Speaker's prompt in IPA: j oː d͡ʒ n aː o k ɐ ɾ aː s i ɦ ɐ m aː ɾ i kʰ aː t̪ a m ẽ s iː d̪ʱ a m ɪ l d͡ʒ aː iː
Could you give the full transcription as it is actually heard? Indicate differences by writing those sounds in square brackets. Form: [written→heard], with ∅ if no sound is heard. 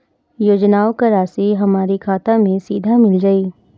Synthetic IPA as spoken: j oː d͡ʒ n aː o k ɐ ɾ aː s i ɦ ɐ m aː ɾ i kʰ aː t̪ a m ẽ s iː d̪ʱ a m ɪ l d͡ʒ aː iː